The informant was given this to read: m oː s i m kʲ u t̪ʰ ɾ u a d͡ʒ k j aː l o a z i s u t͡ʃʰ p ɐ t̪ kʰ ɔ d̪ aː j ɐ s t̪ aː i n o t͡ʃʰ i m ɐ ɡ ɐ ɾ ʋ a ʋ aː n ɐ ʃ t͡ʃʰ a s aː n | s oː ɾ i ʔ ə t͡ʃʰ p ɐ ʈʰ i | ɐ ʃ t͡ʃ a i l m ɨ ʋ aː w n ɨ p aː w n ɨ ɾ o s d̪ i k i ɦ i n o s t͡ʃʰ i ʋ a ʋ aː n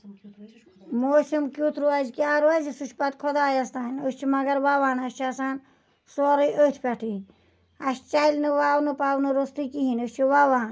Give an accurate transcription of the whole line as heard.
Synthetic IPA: m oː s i m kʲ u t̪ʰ ɾ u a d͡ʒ k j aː ɾ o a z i s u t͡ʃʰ p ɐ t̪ kʰ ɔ d̪ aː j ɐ s t̪ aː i n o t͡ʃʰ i m ɐ ɡ ɐ ɾ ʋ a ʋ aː n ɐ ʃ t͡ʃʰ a s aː n | s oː ɾ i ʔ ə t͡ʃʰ p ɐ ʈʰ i | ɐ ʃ t͡ʃ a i l n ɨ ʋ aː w n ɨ p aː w n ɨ ɾ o s t̪ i k i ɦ i n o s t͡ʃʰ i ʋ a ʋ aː n